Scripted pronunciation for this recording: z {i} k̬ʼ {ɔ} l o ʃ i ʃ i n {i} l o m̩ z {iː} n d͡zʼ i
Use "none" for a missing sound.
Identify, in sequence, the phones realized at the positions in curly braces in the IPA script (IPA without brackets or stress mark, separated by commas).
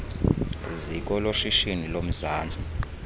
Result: i, ɔ, i, aː